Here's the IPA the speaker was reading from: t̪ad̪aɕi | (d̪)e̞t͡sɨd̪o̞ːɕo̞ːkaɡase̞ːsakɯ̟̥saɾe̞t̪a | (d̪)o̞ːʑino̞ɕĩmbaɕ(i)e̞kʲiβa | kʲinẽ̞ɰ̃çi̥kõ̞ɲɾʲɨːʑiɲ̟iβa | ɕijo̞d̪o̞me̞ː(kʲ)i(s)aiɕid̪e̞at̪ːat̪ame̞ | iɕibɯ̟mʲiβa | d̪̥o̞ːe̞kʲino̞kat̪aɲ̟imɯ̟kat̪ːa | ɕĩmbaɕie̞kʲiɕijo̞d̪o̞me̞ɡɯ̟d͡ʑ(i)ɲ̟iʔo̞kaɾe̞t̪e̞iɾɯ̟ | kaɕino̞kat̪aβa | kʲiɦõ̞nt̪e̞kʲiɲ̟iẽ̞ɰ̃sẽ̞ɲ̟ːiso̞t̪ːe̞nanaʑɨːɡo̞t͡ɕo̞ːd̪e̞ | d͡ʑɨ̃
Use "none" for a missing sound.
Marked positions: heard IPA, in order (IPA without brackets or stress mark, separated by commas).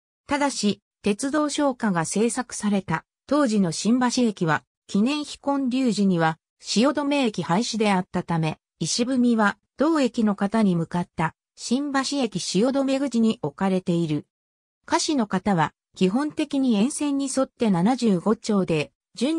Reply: t̪, t̪, i, kʲ, h, i